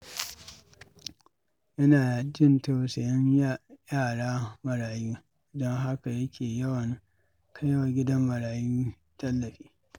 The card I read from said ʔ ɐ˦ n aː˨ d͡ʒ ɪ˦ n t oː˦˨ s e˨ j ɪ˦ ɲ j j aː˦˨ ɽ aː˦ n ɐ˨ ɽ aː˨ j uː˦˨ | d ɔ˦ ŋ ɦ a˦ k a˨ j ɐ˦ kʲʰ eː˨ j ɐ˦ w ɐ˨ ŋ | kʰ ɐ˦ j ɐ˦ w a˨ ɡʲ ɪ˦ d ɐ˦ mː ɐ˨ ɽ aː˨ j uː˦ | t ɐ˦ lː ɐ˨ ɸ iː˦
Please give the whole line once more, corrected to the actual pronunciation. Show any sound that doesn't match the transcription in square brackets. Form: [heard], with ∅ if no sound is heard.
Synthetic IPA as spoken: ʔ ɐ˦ n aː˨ d͡ʒ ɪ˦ n t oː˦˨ s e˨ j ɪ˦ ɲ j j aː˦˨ ɽ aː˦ [m] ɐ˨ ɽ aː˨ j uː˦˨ | d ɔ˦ ŋ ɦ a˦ k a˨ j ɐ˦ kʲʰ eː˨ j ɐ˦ w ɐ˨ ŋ | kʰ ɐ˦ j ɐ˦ w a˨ ɡʲ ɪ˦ d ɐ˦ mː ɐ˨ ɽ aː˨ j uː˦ | t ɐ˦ lː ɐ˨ ɸ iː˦